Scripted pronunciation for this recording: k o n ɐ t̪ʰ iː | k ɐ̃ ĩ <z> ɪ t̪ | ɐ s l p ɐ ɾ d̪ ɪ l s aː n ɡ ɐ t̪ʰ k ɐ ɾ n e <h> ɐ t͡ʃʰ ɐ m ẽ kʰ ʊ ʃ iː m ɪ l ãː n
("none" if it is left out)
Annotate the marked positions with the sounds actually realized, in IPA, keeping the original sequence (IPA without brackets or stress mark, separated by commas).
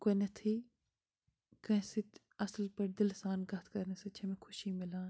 s, s